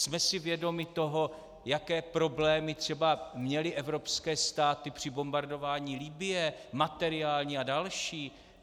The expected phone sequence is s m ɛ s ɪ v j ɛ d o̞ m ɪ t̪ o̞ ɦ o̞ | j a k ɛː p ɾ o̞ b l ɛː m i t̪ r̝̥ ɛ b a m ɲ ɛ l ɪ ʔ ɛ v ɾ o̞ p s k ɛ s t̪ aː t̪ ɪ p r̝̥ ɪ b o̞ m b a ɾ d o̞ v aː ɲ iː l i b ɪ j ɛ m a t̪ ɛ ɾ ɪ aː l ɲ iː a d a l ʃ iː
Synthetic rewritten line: s m ɛ s ɪ v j ɛ d o̞ m ɪ t̪ o̞ ɦ o̞ | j a k ɛː p ɾ o̞ b l ɛː m ɪ t̪ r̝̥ ɛ b a m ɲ ɛ l ɪ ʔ ɛ v ɾ o̞ p s k ɛː s t̪ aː t̪ ɪ p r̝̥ ɪ b o̞ m b a ɾ d o̞ v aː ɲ iː l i b ɪ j ɛ m a t̪ ɛ ɾ ɪ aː l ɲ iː a d a l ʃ iː

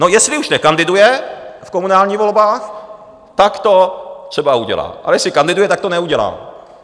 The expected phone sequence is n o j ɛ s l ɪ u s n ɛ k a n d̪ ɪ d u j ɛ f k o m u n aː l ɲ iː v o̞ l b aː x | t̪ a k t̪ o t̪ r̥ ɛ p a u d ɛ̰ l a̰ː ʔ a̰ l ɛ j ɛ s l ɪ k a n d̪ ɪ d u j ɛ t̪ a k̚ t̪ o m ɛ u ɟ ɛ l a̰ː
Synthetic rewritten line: n o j ɛ s l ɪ u ʃ n ɛ k a n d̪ ɪ d u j ɛ f k o m u n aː l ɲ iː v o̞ l b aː x | t̪ a k t̪ o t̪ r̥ ɛ b a u ɟ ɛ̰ l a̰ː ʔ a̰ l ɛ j ɛ s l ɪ k a n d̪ ɪ d u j ɛ t̪ a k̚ t̪ o n ɛ u ɟ ɛ l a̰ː

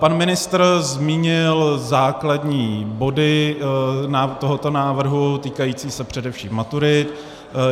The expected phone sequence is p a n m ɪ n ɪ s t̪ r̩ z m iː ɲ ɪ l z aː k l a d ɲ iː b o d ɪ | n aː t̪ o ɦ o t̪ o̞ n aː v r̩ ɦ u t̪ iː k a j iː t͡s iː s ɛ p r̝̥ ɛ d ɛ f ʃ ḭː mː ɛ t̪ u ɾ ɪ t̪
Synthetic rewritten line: p a n m ɪ n ɪ s t̪ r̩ z m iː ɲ ɪ l z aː k l a d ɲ iː b o d ɪ | n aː t̪ o ɦ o t̪ o̞ n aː v r̩ ɦ u t̪ iː k a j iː t͡s iː s ɛ p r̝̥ ɛ d ɛ f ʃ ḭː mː a t̪ u ɾ ɪ t̪

